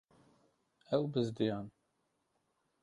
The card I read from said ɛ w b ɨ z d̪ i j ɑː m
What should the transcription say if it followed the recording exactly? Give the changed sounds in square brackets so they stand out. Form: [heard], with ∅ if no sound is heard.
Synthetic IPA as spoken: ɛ w b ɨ z d̪ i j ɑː [n]